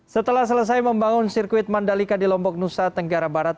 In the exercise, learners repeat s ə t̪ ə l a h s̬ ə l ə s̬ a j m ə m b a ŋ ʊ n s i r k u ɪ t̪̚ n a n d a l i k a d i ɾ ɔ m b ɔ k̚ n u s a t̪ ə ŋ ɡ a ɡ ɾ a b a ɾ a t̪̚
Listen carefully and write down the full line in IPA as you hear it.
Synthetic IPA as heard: s ə t̪ ə l a h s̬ ə l ə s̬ a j m ə m b a ŋ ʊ n s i r k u ɪ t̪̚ m a n d a l i k a d i l ɔ m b ɔ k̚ n u s a t̪ ə ŋ ɡ a ɾ a b a ɾ a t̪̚